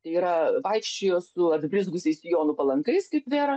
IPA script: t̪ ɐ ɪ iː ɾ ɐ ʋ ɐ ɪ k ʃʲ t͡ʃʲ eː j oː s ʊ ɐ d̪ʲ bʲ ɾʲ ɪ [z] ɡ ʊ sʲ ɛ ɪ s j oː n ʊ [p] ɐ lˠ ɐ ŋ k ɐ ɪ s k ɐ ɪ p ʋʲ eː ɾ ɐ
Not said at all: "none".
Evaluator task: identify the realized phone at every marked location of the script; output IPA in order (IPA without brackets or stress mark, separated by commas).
z, p